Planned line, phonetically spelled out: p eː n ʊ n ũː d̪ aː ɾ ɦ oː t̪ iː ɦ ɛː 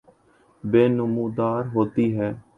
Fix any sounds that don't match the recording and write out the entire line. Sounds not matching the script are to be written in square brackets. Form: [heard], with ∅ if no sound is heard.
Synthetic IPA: [b] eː n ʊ [m] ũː d̪ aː ɾ ɦ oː t̪ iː ɦ ɛː